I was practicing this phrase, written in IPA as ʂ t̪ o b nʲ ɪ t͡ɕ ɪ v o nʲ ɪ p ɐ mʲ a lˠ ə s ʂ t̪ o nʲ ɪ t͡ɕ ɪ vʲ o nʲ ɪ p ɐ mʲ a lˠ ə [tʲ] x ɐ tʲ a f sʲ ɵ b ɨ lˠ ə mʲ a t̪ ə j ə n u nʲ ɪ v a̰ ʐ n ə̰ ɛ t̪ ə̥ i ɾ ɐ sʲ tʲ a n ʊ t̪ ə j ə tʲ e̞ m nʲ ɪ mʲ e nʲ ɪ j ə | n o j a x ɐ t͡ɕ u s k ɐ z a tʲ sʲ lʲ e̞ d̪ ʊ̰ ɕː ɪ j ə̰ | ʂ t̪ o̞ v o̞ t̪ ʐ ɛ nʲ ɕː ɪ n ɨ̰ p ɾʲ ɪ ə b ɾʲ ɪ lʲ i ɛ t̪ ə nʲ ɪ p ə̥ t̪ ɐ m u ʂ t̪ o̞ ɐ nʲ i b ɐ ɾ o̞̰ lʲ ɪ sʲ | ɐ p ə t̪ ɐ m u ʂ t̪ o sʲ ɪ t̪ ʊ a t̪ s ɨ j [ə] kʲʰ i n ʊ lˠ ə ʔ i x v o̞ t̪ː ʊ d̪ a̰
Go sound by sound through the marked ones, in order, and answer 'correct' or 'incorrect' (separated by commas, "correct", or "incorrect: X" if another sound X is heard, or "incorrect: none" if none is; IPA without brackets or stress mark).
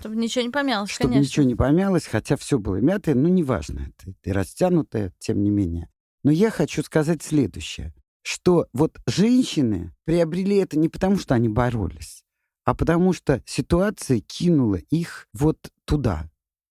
incorrect: sʲ, correct